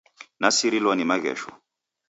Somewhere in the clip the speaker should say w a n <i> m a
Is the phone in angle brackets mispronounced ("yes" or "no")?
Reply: no